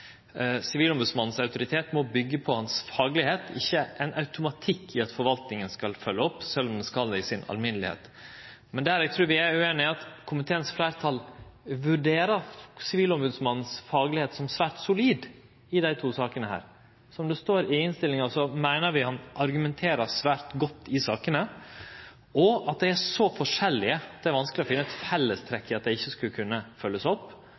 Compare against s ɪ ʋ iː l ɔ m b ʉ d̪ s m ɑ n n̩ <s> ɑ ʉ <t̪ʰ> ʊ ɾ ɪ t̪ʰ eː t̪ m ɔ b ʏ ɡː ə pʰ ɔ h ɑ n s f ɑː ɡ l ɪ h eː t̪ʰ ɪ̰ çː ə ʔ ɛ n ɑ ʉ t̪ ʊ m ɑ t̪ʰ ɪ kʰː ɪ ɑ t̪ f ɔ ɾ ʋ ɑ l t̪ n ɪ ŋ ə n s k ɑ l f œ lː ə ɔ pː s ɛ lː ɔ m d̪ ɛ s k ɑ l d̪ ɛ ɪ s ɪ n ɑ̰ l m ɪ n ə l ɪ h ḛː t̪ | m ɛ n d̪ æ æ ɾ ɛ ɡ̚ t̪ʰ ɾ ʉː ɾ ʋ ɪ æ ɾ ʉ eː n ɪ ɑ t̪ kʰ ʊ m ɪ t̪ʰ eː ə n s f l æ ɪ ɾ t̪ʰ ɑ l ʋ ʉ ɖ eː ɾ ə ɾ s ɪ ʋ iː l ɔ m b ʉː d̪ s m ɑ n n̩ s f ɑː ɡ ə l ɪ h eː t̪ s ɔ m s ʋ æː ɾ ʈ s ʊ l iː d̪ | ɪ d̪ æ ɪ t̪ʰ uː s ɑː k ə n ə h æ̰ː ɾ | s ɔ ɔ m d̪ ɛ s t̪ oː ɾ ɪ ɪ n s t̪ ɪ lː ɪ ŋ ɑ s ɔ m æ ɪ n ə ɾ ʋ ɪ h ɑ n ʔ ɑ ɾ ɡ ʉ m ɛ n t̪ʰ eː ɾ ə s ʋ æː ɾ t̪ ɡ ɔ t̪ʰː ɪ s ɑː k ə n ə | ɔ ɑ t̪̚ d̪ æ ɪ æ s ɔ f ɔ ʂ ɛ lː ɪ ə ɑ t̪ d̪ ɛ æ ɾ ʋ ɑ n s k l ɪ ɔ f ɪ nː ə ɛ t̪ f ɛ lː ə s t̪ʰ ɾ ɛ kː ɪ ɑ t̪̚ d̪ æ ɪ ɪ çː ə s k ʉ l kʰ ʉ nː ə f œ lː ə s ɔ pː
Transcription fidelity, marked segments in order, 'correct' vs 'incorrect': correct, incorrect: t̪

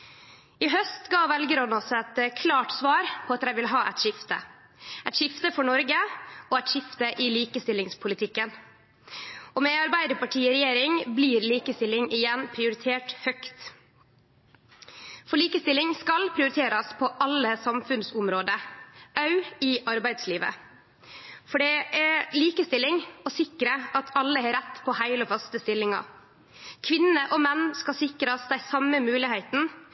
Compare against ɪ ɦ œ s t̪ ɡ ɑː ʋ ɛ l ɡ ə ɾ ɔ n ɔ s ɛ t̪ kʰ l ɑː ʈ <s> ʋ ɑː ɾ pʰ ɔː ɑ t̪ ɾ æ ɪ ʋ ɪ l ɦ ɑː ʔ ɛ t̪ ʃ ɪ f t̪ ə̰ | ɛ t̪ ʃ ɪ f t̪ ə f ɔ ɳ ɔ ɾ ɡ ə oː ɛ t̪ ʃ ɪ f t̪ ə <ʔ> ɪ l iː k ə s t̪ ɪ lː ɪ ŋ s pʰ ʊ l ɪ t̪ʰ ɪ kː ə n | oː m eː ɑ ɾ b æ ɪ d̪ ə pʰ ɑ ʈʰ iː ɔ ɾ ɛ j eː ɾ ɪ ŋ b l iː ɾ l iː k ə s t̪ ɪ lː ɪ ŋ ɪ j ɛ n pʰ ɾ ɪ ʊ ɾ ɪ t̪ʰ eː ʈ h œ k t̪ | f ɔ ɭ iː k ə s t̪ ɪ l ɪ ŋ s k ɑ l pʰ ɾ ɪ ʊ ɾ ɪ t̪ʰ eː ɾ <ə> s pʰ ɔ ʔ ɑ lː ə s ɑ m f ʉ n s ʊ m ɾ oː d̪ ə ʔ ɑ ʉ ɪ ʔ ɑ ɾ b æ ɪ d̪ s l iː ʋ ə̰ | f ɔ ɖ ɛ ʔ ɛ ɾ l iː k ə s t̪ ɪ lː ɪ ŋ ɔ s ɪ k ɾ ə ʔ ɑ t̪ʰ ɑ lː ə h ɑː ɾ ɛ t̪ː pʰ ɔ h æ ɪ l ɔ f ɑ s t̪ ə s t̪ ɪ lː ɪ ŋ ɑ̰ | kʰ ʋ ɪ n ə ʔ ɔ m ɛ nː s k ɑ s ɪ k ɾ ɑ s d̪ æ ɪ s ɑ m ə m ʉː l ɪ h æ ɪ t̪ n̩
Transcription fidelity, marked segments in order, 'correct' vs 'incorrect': correct, correct, incorrect: ɑ

